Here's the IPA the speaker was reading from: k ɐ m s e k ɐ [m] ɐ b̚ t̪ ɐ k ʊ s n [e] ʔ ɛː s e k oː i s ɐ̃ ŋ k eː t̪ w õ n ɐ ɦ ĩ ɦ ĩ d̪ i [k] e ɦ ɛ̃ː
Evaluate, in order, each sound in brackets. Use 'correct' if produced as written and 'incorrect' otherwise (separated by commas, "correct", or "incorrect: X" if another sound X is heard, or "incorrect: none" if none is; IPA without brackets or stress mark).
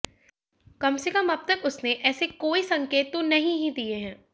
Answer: correct, correct, incorrect: none